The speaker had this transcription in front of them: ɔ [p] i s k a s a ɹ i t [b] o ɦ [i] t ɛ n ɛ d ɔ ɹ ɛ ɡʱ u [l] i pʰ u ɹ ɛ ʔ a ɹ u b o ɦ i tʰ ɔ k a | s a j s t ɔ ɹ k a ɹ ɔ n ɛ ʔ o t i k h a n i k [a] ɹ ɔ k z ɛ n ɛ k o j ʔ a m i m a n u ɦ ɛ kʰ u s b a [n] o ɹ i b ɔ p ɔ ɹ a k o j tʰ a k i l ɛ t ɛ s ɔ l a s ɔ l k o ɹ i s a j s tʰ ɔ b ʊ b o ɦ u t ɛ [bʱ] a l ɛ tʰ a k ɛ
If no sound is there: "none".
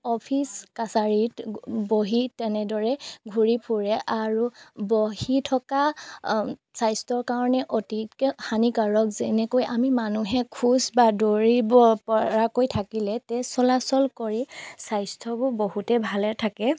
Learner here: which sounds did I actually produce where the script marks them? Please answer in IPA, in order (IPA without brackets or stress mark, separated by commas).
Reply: pʰ, b, i, ɹ, a, d, bʱ